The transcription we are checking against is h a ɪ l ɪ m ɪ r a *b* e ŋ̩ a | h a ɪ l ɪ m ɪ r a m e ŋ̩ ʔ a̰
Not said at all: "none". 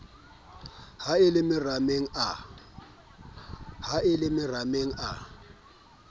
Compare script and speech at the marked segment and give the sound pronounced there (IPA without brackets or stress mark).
m